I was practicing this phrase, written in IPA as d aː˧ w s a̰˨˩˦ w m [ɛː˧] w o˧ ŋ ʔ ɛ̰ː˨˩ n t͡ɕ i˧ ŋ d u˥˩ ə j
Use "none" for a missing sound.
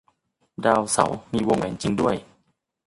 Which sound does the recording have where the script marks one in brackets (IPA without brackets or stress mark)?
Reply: iː˧